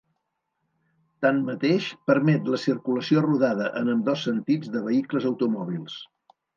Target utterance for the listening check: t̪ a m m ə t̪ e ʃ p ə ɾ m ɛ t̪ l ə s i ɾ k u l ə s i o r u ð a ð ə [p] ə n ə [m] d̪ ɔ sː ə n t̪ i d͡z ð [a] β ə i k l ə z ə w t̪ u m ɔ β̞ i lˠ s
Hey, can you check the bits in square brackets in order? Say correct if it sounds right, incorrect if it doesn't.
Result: incorrect, correct, incorrect

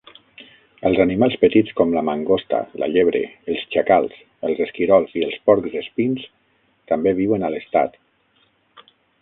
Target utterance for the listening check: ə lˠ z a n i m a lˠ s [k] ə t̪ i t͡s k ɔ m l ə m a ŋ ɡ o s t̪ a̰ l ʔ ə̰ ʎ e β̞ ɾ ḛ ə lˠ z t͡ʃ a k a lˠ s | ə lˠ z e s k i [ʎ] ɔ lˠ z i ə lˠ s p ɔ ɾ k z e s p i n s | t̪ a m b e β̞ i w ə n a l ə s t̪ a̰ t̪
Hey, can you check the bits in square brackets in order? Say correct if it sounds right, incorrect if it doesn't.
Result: incorrect, incorrect

